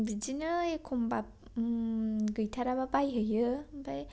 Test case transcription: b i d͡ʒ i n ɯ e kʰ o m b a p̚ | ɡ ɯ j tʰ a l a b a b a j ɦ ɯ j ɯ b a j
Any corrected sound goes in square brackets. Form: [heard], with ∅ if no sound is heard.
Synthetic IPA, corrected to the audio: b i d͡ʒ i n ɯ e kʰ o m b a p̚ | ɡ ɯ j tʰ a [ɾ] a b a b a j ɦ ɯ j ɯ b a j